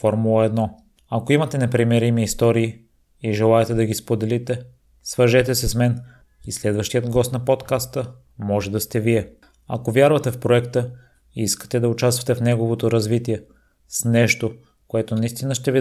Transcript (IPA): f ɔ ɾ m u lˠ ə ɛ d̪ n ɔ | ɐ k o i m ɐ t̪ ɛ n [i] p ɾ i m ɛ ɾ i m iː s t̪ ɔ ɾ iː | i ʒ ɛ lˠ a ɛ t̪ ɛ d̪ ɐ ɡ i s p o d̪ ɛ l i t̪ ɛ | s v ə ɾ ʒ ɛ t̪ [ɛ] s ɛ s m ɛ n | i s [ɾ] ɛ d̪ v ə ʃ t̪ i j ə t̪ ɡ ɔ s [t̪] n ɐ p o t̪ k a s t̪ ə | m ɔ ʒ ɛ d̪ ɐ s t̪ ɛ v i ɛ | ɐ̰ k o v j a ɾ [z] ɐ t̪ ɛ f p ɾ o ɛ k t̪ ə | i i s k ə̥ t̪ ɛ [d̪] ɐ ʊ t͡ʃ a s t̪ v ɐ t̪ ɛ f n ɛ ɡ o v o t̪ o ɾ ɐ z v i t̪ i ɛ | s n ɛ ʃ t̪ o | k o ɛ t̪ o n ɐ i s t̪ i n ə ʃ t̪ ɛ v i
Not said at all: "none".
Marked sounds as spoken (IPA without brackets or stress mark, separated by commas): ɛ, ɛ, l, t̪, v, d̪